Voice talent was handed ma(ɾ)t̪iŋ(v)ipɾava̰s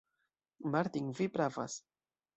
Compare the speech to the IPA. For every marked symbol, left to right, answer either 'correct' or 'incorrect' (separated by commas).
correct, correct